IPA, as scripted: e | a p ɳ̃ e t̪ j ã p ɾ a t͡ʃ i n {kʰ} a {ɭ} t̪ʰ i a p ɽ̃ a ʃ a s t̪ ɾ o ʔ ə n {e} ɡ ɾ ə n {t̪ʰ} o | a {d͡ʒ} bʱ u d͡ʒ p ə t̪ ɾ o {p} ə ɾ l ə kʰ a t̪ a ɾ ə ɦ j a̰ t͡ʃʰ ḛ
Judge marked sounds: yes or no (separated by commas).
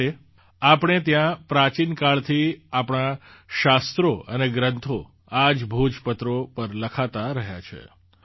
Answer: no, yes, yes, yes, yes, yes